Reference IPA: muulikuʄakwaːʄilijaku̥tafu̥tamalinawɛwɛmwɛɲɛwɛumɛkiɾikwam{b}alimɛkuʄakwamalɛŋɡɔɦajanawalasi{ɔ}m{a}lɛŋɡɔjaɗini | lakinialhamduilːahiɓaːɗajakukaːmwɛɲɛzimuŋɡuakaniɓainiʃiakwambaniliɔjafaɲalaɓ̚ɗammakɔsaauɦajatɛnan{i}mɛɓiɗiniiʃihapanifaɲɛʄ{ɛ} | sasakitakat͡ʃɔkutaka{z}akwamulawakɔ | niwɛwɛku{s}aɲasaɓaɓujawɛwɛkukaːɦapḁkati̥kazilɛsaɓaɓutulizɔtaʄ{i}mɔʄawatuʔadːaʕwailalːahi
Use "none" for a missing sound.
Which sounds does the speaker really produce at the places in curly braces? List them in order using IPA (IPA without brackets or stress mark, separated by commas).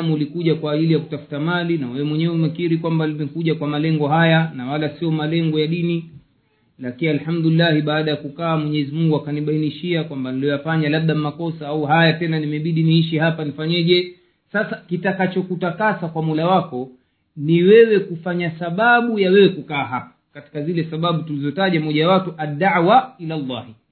b, ɔ, a, i, ɛ, s, f, a